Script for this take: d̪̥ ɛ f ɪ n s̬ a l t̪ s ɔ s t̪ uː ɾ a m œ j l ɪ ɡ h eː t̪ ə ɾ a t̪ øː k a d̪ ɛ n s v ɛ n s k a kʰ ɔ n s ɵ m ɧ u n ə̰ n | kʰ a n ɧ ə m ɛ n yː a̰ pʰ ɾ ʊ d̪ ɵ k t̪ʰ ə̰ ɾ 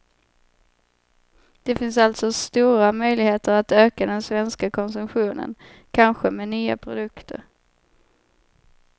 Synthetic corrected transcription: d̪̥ ɛ f ɪ n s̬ a l t̪ s ɔ s t̪ uː ɾ a m œ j l ɪ ɡ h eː t̪ ə ɾ a t̪ øː k a d̪ ɛ n s v ɛ n s k a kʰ ɔ n s ɵ m ɧ uː n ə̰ n | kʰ a n ɧ ə m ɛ n yː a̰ pʰ ɾ ʊ d̪ ɵ k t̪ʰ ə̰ ɾ